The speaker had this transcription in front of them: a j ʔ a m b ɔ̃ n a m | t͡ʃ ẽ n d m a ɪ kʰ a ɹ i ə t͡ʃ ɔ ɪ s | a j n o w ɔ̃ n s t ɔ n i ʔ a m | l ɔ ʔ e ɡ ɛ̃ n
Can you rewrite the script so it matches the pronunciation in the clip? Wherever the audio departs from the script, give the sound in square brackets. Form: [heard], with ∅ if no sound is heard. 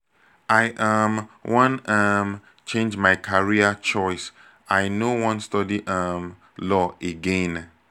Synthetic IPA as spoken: a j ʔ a m [w] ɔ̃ n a m | t͡ʃ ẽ n [d͡ʒ] m a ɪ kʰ a ɹ i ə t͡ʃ ɔ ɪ s | a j n o w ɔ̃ n s t ɔ [d] i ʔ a m | l ɔ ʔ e ɡ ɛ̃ n

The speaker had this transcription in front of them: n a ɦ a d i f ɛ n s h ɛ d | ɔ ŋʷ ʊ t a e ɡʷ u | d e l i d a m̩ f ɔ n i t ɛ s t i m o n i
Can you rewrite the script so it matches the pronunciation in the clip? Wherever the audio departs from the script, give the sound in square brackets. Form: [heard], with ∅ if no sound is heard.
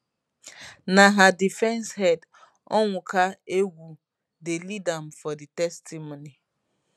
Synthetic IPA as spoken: n a ɦ a d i f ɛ n s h ɛ d | ɔ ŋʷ ʊ [k] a e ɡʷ u | d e l i d a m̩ f ɔ [d] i t ɛ s t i m o n i

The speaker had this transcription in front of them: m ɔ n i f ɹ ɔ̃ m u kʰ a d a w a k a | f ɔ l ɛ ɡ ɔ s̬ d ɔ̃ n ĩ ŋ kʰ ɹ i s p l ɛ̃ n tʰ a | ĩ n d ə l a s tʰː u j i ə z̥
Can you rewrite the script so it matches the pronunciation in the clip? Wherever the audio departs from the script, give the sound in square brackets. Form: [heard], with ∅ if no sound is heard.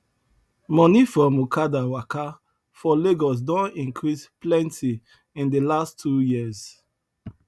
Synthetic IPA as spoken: m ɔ n i f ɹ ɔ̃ m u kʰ a d a w a k a | f ɔ l [e] ɡ ɔ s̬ d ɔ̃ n ĩ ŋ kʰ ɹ i s p l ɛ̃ n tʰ [i] | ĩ n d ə l a s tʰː u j i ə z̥

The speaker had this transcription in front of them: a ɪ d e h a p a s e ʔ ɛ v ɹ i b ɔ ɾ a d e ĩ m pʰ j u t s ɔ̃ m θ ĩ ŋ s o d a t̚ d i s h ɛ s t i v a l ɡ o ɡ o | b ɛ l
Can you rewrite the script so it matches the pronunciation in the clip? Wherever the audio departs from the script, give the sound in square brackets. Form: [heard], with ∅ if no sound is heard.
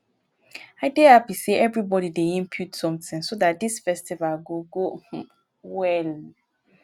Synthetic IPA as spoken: a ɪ d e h a p [i] s e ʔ ɛ v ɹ i b ɔ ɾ [i] d e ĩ m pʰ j u t s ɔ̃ m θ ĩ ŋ s o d a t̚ d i s [f] ɛ s t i v a l ɡ o ɡ o | [w] ɛ l

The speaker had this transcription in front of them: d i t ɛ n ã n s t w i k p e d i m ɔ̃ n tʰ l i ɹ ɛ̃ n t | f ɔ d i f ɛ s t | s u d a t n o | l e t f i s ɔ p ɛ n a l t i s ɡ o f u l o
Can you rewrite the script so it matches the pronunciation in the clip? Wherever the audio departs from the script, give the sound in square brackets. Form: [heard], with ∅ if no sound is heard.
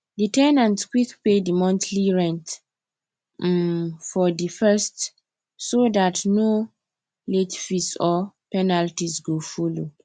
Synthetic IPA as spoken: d i t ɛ n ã n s [k] w i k p e d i m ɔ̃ n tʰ l i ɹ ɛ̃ n t | f ɔ d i f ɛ s t | s [o] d a t n o | l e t f i s ɔ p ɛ n a l t i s ɡ o f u l o

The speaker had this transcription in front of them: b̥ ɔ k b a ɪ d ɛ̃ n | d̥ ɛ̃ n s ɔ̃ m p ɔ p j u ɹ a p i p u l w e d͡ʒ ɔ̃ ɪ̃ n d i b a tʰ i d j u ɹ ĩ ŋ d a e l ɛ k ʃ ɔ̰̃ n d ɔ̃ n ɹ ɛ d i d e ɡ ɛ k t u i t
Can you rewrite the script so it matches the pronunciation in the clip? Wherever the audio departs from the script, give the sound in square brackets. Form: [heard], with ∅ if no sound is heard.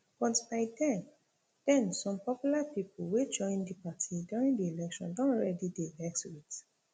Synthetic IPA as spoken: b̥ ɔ [t] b a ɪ d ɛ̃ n | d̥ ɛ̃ n s ɔ̃ m p ɔ p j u [l] a p i p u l w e d͡ʒ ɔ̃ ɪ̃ n d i [p] a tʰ i d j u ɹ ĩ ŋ d [i] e l ɛ k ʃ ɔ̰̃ n d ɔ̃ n ɹ ɛ d i d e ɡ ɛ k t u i t

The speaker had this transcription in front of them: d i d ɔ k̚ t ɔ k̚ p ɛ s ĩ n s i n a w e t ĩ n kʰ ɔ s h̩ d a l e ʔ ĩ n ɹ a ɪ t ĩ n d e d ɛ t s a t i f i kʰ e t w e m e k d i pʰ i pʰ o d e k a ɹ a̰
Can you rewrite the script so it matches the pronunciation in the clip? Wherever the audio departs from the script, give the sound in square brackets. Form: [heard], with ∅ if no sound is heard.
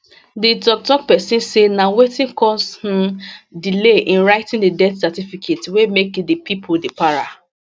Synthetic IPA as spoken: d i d ɔ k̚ t ɔ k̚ p ɛ s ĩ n s [e] n a w e t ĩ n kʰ ɔ s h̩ d [i] l e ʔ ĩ n ɹ a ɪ t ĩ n d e d ɛ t s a t i f i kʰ e t w e m e k d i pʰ i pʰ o d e [p] a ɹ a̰

